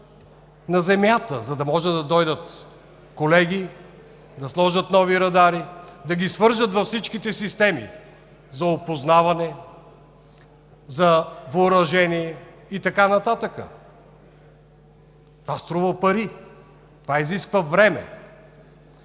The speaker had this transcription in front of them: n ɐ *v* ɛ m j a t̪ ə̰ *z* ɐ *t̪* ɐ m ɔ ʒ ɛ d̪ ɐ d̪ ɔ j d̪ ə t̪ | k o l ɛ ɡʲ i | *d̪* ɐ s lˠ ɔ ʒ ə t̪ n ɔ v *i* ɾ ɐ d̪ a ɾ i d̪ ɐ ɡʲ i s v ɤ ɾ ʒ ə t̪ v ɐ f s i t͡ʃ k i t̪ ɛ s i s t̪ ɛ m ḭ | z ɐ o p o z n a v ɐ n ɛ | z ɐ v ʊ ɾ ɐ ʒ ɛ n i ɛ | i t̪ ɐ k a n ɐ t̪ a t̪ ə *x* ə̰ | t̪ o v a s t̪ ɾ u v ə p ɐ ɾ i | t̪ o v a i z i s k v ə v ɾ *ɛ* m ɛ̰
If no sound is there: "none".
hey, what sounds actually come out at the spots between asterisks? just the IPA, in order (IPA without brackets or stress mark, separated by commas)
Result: z, z, d̪, d̪, i, k, ɛ